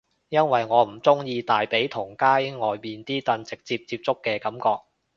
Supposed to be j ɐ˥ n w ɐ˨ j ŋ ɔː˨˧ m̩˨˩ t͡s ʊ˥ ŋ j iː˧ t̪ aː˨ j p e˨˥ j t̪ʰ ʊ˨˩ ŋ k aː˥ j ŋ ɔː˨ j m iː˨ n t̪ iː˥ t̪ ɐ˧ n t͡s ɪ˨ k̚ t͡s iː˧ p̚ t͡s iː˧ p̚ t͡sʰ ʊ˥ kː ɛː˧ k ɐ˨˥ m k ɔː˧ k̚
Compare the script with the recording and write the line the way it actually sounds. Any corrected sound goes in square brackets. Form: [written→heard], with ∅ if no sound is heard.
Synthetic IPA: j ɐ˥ n w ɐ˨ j ŋ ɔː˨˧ m̩˨˩ t͡s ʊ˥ ŋ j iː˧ t̪ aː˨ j p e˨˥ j t̪ʰ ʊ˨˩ ŋ k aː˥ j ŋ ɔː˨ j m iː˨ n t̪ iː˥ t̪ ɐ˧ n t͡s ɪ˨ k̚ t͡s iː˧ p̚ t͡s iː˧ p̚ [t͡sʰ→t͡s] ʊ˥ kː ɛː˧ k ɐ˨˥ m k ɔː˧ k̚